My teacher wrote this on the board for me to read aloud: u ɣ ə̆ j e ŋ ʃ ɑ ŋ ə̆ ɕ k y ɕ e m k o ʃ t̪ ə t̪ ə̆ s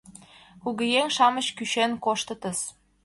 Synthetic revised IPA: u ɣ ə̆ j e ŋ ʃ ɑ m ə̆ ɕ k y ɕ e n k o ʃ t̪ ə t̪ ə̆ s